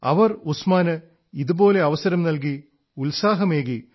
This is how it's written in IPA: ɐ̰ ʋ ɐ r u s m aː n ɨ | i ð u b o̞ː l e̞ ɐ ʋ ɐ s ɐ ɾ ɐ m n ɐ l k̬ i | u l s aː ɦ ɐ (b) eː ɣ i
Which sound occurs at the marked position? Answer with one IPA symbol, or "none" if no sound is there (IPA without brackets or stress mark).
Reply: m